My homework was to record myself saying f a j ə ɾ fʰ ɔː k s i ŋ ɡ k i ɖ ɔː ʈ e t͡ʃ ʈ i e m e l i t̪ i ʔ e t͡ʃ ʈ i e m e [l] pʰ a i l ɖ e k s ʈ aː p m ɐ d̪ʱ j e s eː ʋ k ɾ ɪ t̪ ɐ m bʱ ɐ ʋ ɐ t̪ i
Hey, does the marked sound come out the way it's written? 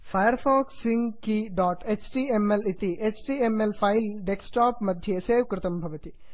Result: yes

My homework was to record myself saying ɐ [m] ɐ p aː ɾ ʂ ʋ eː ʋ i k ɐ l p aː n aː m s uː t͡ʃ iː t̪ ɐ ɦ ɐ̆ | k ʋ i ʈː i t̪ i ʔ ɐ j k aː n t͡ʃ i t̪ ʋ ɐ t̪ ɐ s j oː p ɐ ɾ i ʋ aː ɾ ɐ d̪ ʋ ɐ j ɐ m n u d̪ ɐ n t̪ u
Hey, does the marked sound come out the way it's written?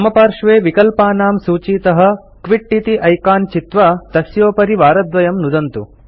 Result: yes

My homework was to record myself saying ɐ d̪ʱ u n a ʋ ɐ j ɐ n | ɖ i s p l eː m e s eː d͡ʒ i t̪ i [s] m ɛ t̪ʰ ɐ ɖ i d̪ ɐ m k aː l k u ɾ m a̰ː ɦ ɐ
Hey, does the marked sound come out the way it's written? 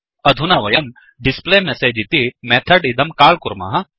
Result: no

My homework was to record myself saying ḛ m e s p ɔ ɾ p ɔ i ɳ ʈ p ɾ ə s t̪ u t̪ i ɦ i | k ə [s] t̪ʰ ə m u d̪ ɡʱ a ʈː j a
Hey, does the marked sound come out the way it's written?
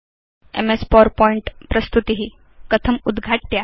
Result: no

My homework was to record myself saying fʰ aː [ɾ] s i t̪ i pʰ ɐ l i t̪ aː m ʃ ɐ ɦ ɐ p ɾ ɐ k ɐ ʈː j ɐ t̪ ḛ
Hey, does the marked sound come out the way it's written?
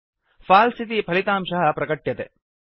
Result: no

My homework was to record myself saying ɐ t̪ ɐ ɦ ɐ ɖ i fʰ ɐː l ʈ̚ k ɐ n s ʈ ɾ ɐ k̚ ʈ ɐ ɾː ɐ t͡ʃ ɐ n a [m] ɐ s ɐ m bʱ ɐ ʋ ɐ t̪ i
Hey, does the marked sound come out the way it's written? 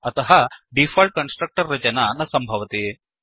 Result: no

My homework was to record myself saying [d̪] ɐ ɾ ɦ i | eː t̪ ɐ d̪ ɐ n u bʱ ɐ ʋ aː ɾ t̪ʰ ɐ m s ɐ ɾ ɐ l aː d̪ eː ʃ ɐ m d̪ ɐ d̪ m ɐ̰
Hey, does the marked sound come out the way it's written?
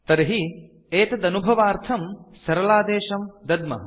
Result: no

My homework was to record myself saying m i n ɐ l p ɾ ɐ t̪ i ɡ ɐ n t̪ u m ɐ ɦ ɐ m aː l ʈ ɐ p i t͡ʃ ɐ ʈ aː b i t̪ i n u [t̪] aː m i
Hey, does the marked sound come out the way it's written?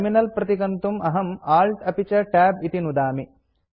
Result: no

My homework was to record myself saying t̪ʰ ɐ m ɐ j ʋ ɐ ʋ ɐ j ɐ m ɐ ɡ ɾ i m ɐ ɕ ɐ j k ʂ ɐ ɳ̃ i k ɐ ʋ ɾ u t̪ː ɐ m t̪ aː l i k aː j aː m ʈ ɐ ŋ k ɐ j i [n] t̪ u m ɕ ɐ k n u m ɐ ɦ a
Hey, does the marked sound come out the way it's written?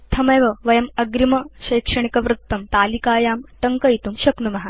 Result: no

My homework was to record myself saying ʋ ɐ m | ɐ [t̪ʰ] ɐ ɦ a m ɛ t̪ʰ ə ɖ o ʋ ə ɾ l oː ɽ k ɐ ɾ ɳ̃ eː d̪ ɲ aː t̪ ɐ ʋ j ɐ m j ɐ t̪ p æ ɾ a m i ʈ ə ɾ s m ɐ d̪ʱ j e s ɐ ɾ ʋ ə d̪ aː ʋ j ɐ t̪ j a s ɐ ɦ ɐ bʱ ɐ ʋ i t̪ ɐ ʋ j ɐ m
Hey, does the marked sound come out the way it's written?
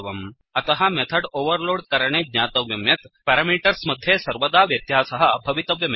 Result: no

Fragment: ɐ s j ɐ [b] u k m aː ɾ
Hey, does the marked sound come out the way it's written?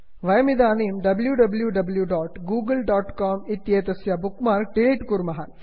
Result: yes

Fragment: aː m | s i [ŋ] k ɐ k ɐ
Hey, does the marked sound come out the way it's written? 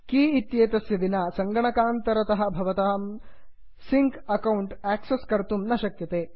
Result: yes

